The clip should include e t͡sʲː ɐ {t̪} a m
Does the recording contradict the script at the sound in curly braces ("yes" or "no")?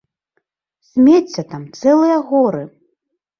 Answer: no